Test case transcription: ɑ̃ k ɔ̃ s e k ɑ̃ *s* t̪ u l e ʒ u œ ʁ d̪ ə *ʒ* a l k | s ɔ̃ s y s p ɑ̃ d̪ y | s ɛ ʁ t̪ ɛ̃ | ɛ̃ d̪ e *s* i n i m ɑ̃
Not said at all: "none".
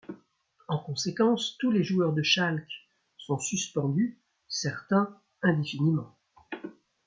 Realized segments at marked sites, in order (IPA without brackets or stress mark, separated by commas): s, ʃ, f